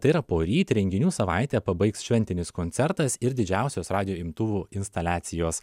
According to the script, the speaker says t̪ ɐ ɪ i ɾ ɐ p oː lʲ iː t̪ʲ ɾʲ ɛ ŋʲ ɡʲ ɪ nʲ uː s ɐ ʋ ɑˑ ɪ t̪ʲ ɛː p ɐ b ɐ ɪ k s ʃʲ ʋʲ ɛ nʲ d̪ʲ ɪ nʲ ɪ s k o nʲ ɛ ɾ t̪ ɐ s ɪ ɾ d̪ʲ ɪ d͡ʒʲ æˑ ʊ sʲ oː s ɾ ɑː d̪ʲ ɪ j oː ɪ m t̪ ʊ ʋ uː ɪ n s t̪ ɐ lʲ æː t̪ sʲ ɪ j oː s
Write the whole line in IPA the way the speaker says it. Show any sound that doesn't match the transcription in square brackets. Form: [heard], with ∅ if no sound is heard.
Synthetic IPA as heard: t̪ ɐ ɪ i ɾ ɐ p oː [ɾʲ] iː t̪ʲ ɾʲ ɛ ŋʲ ɡʲ ɪ nʲ uː s ɐ ʋ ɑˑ ɪ t̪ʲ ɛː p ɐ b ɐ ɪ k s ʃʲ ʋʲ ɛ nʲ [t̪ʲ] ɪ nʲ ɪ s k o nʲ ɛ ɾ t̪ ɐ s ɪ ɾ d̪ʲ ɪ d͡ʒʲ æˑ ʊ sʲ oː s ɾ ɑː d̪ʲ ɪ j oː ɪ m t̪ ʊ ʋ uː ɪ n s t̪ ɐ lʲ æː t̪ sʲ ɪ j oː s